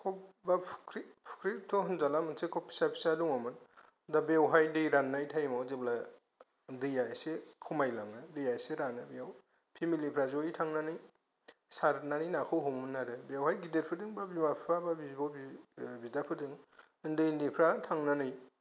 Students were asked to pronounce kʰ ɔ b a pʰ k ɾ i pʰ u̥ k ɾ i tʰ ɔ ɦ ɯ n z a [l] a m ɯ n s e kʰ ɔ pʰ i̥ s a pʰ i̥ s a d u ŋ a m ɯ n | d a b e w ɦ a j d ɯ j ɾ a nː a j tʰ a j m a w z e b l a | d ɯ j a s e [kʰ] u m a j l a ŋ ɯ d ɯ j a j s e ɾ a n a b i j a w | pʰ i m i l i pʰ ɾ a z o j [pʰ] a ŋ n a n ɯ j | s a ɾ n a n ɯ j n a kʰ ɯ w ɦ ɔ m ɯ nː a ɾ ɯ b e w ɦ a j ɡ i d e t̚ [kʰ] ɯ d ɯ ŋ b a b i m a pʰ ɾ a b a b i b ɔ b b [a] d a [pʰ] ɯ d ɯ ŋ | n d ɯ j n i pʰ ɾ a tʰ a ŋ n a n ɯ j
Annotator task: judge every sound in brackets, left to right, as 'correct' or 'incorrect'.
correct, correct, incorrect, incorrect, incorrect, correct

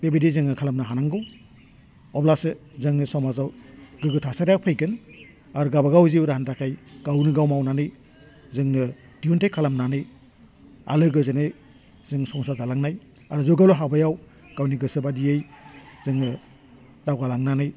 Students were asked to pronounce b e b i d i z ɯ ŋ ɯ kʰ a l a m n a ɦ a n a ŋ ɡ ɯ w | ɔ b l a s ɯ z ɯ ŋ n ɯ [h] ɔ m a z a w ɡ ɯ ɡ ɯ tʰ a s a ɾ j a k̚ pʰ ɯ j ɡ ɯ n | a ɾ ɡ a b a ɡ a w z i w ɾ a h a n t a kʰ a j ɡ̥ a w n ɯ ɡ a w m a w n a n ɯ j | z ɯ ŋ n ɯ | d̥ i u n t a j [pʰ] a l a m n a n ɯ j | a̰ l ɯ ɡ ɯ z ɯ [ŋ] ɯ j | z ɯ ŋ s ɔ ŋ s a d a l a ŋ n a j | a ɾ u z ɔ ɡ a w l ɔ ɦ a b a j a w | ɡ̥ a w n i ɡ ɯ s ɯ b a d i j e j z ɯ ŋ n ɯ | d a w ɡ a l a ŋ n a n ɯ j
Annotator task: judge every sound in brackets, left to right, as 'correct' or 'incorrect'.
incorrect, incorrect, incorrect

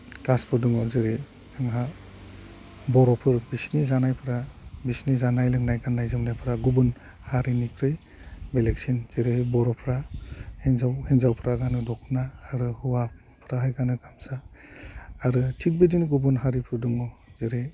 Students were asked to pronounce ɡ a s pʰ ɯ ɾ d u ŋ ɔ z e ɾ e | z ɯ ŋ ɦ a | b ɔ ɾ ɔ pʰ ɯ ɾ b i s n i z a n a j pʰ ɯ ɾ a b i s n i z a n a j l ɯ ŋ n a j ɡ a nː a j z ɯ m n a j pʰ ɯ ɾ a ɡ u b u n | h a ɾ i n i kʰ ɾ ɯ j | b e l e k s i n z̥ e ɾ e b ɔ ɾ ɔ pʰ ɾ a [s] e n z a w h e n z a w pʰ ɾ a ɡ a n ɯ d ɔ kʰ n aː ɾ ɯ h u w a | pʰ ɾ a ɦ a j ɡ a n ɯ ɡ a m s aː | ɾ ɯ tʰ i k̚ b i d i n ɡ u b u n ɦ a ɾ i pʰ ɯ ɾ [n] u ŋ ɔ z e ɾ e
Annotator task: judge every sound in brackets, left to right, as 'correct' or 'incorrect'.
incorrect, incorrect

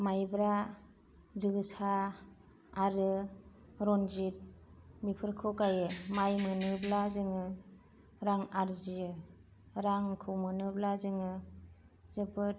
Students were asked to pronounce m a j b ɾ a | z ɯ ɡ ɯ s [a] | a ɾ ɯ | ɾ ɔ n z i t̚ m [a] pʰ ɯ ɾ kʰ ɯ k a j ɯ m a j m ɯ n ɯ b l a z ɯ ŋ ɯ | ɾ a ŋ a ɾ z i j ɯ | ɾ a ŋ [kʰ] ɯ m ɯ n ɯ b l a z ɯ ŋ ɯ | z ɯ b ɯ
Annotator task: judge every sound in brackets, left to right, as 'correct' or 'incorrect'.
correct, incorrect, correct

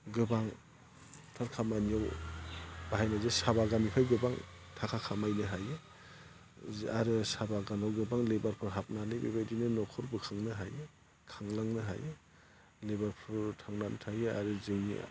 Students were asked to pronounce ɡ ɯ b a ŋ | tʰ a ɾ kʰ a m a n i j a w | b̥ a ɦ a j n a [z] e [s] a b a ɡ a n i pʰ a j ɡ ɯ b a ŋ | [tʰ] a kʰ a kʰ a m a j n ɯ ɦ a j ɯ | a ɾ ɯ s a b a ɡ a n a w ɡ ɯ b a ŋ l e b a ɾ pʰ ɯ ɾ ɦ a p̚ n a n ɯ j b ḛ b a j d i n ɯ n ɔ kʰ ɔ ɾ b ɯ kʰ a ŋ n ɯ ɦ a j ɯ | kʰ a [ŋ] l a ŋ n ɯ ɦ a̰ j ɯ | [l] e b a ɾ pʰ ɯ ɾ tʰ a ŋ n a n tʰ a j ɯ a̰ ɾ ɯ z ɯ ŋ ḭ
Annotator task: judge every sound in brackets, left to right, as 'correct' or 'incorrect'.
correct, correct, correct, correct, correct

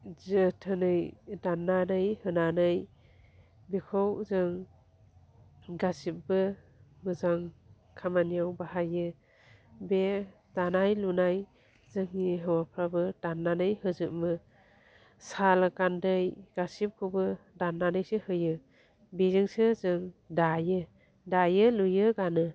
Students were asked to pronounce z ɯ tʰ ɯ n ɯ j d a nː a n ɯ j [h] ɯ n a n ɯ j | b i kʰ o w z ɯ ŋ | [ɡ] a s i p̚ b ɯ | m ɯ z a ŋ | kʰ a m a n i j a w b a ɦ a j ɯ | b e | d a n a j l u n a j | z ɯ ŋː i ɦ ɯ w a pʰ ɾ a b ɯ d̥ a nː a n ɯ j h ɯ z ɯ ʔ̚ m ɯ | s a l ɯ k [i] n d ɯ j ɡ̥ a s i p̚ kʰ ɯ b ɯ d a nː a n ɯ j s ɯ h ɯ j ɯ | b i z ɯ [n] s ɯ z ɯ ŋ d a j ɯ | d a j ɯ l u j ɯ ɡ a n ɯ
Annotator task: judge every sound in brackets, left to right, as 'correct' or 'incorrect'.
correct, correct, incorrect, incorrect

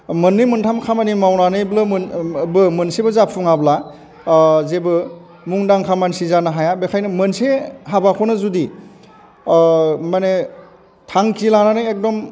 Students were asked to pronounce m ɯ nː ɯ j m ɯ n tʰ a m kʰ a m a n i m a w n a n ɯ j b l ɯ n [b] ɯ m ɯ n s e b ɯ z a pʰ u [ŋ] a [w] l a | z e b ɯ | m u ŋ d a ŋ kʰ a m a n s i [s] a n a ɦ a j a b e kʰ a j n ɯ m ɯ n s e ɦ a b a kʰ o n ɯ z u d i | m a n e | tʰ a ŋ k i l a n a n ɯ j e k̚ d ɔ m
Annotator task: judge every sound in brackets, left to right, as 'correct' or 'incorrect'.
correct, correct, incorrect, incorrect

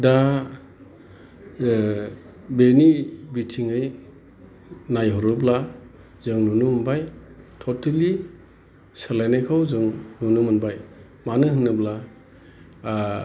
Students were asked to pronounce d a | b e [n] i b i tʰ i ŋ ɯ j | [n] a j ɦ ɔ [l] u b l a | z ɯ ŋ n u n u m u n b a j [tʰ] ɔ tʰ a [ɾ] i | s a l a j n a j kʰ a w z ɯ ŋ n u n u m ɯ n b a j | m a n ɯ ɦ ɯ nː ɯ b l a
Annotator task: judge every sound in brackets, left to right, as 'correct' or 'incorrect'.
correct, correct, incorrect, correct, incorrect

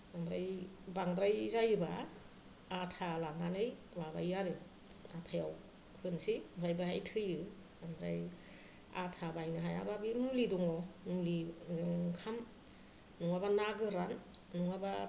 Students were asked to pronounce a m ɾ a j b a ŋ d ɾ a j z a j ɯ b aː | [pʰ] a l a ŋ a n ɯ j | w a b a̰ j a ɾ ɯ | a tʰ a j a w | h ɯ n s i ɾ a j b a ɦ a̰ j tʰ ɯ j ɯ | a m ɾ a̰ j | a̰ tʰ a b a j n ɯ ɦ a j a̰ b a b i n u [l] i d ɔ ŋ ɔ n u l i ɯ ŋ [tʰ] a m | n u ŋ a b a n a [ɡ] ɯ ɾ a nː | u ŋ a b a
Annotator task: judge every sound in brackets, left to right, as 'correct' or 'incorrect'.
incorrect, correct, incorrect, correct

